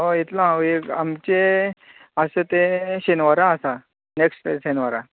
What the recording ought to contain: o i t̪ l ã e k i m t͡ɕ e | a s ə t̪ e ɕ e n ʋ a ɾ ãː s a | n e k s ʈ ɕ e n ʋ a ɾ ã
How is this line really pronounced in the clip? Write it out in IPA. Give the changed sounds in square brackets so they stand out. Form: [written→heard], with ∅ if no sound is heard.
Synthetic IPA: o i t̪ l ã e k [i→a] m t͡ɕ e | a s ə t̪ e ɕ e n ʋ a ɾ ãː s a | n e k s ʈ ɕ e n ʋ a ɾ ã